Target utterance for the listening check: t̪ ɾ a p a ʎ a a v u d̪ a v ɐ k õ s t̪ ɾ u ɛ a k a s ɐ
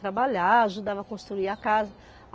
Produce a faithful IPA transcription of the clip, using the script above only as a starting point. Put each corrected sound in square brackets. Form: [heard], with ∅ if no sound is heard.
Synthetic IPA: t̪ ɾ a [b] a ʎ a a [ʒ] u d̪ a v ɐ k õ s t̪ ɾ u [i] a k a [z] ɐ